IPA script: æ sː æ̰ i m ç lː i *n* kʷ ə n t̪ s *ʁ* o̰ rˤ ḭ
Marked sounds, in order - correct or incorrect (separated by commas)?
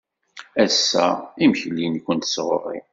correct, correct